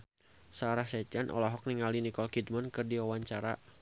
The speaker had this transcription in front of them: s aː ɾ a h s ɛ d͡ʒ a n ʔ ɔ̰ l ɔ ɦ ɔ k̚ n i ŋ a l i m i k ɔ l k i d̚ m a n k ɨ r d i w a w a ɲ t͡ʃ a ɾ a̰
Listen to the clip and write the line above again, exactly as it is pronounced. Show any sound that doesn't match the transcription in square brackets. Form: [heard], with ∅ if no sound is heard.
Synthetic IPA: s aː ɾ a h s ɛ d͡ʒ a n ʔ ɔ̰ l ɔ ɦ ɔ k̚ n i ŋ a l i [n] i k ɔ l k i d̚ m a n k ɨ r d i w a w a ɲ t͡ʃ a ɾ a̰